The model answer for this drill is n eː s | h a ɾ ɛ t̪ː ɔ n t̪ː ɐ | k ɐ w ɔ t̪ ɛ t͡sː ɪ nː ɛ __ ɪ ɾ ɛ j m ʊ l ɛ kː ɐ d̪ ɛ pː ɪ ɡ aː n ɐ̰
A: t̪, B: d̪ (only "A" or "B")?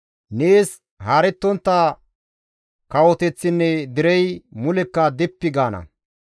B